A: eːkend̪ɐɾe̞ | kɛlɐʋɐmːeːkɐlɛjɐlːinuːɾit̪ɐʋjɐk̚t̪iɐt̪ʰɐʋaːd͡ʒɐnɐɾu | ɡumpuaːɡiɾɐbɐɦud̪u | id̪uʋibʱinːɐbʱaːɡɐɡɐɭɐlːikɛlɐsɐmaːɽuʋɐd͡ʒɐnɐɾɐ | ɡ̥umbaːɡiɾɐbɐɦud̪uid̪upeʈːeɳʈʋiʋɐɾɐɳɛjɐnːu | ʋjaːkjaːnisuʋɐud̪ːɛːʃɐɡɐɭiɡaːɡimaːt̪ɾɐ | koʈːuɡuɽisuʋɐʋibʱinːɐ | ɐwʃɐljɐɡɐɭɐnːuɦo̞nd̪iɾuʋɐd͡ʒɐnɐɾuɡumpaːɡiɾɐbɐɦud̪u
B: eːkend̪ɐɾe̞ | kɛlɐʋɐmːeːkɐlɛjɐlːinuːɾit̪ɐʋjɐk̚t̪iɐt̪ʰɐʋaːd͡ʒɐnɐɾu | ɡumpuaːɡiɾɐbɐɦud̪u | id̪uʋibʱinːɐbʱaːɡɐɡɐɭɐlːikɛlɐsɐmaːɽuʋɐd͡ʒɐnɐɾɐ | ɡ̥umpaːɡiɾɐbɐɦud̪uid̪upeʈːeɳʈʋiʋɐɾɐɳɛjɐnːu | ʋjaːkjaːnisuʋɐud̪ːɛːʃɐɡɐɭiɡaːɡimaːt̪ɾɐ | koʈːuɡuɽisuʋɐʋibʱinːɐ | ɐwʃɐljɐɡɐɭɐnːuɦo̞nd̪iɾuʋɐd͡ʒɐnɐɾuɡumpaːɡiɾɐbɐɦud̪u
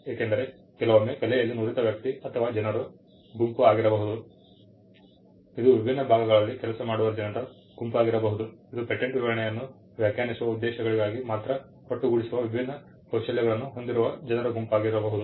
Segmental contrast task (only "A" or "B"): B